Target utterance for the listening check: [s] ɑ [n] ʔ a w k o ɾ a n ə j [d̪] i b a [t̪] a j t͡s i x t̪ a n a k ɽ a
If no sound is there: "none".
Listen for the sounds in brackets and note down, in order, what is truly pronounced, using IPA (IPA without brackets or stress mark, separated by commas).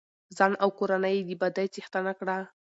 z, n, d̪, d̪